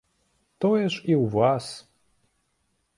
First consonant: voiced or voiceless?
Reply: voiceless